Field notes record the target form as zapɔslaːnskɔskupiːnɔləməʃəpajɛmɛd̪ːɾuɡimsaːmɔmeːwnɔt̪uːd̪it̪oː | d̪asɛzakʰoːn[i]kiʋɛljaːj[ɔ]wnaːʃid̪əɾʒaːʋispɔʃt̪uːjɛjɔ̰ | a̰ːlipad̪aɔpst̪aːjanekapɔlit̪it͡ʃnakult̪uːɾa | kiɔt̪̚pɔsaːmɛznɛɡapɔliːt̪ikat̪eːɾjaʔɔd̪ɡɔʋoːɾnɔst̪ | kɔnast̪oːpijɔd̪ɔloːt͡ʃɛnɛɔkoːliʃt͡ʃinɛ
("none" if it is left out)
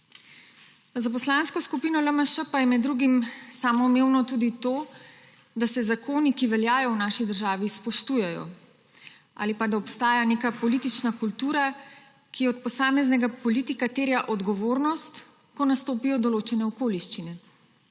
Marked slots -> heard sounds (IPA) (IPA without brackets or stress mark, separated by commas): i, ɔ